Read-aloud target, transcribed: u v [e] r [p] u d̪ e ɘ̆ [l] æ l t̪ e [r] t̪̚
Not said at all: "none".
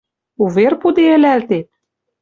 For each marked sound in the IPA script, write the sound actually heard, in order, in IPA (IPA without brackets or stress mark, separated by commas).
e, p, l, none